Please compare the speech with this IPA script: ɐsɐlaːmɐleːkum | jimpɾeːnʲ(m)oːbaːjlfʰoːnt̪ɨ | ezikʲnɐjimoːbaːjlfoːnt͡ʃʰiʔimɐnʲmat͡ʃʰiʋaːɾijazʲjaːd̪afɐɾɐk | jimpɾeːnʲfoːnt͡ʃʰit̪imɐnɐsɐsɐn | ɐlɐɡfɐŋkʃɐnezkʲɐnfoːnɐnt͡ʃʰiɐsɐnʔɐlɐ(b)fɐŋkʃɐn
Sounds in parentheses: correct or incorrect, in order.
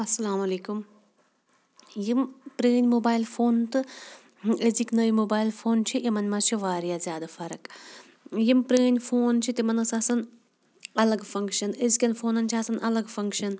correct, incorrect: ɡ

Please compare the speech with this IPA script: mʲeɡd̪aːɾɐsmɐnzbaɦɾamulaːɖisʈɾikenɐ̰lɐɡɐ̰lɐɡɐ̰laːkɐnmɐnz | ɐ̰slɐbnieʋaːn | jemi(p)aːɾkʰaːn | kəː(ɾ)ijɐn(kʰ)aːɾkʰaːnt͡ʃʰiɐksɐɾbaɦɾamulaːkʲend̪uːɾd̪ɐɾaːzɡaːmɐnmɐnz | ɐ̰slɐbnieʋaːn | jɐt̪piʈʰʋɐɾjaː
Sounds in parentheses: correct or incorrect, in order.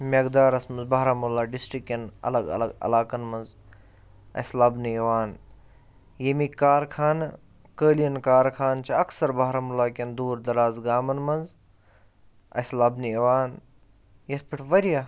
incorrect: k, incorrect: l, incorrect: k

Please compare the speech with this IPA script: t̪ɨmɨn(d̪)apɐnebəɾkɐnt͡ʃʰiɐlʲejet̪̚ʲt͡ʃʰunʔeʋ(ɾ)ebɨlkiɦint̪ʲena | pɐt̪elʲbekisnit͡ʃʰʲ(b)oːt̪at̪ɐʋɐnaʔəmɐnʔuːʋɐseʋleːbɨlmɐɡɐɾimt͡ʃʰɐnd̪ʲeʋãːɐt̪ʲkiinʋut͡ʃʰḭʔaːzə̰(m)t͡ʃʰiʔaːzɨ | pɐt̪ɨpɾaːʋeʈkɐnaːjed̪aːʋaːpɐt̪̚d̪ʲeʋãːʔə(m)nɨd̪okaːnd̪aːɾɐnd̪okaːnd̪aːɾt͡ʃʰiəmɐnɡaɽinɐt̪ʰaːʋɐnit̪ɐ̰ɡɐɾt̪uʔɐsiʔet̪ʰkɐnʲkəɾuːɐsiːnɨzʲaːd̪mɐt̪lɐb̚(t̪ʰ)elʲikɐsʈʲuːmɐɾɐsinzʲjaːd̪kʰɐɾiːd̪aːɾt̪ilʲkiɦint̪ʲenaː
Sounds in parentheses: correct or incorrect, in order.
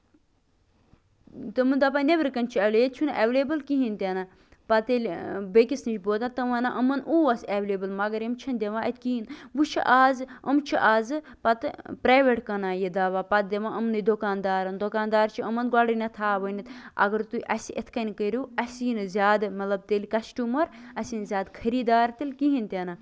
correct, incorrect: l, correct, correct, correct, incorrect: t̪

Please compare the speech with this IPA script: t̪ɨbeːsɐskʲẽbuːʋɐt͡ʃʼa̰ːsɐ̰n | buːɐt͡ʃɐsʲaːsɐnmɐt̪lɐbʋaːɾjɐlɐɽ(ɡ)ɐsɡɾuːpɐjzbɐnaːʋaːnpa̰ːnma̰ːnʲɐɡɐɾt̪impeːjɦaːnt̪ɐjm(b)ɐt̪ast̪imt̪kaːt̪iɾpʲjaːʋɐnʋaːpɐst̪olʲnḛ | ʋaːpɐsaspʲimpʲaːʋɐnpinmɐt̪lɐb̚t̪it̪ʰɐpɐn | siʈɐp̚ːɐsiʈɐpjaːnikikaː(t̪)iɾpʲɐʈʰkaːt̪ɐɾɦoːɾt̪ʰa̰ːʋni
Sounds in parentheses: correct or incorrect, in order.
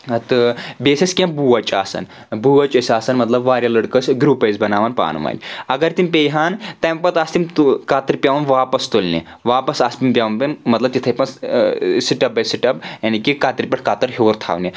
incorrect: k, incorrect: p, correct

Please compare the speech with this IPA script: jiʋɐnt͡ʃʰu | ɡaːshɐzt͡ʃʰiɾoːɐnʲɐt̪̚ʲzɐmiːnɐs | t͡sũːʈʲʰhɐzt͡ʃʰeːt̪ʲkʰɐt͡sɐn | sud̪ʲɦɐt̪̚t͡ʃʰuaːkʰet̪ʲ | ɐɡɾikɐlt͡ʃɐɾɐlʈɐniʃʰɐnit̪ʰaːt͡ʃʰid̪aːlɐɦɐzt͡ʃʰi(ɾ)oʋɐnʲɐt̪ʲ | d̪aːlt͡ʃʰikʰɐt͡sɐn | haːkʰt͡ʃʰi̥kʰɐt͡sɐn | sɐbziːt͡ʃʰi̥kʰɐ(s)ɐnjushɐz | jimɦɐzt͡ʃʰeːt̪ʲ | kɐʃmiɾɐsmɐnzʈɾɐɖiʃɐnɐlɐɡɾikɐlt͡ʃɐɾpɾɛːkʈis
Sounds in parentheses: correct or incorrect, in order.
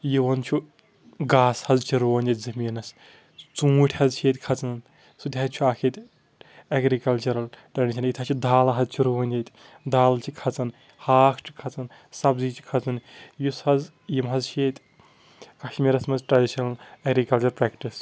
correct, incorrect: t͡s

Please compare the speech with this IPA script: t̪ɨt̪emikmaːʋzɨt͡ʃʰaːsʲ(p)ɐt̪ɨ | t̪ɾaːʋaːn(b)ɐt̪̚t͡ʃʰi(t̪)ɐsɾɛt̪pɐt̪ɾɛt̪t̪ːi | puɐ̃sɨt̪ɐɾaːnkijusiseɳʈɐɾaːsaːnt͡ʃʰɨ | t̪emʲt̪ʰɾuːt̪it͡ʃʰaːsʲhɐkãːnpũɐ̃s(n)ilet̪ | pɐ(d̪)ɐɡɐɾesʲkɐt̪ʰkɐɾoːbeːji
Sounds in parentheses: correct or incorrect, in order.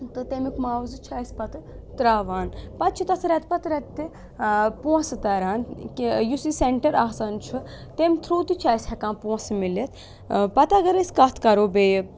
correct, incorrect: p, correct, incorrect: m, incorrect: t̪

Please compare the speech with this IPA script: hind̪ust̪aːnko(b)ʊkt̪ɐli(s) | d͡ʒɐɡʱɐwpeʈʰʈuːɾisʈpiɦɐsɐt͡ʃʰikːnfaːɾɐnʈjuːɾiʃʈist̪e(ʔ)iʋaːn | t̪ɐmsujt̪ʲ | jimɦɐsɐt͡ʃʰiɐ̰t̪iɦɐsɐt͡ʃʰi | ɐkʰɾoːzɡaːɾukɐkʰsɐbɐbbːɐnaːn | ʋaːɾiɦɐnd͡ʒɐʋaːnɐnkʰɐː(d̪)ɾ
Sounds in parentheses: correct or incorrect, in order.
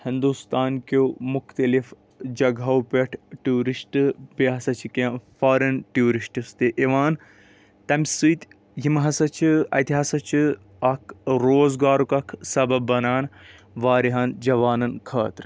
incorrect: m, incorrect: f, correct, incorrect: t̪

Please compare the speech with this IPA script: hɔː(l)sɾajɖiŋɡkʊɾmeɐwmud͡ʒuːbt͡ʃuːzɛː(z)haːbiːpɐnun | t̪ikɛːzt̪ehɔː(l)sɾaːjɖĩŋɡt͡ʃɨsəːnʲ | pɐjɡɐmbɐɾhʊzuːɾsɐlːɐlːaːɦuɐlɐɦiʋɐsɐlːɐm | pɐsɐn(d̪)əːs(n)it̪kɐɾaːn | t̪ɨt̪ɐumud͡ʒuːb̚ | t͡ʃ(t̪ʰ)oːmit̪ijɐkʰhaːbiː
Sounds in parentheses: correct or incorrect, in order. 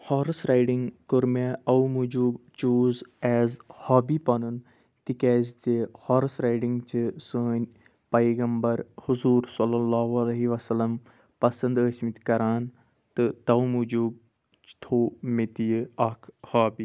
incorrect: ɾ, correct, incorrect: ɾ, correct, incorrect: m, correct

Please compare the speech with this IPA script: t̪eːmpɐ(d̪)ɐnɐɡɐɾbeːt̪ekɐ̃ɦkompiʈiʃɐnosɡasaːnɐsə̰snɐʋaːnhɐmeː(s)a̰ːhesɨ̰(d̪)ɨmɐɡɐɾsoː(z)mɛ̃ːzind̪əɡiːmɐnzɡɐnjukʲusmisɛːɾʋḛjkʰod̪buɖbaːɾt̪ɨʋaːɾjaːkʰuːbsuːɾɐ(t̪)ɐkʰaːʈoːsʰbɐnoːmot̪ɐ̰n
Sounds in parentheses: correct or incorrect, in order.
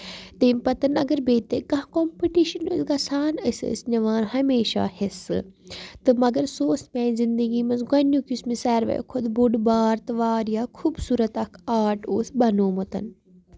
incorrect: t̪, incorrect: ʃ, incorrect: t̪, incorrect: s, correct

